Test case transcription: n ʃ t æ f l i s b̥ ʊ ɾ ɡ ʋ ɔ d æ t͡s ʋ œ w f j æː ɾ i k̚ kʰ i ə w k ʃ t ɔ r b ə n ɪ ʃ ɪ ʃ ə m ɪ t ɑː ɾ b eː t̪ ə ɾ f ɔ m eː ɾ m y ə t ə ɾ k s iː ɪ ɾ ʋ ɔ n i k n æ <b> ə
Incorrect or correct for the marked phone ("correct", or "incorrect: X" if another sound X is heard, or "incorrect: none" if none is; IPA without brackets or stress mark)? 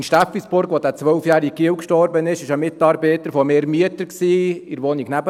correct